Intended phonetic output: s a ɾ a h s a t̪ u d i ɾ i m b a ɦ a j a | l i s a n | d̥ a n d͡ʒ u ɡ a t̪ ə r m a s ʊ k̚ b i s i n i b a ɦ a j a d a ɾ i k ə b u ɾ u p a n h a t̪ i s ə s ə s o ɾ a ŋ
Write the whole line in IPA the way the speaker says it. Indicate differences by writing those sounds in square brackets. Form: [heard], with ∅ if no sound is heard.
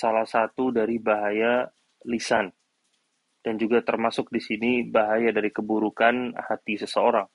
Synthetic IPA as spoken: s a [l] a h s a t̪ u d [a] ɾ i [∅] b a ɦ a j a | l i s a n | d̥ a n d͡ʒ u ɡ a t̪ ə r m a s ʊ k̚ [d] i s i n i b a ɦ a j a d a ɾ i k ə b u ɾ u [k] a n h a t̪ i s ə s ə [∅] o ɾ a ŋ